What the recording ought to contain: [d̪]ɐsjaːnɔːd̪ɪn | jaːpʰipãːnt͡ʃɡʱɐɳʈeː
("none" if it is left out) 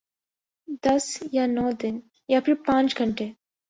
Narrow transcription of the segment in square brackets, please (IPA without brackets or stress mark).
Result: d̪